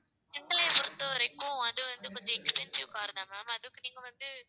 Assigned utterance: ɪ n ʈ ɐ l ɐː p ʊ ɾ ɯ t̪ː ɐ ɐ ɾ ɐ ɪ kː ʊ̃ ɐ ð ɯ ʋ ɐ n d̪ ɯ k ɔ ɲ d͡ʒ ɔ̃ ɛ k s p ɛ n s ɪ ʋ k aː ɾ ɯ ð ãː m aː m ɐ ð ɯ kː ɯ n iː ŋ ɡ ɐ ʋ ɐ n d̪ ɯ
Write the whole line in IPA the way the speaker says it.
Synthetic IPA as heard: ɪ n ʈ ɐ l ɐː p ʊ ɾ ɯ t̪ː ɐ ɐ ɾ ɐ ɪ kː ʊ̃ ɐ ð ɯ ʋ ɐ n d̪ ɯ k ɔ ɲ d͡ʒ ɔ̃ ɛ k s p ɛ n s ɪ ʋ k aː ɾ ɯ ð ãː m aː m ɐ ð ɯ kː ɯ n iː ŋ ɡ ɐ ʋ ɐ n d̪ ɯ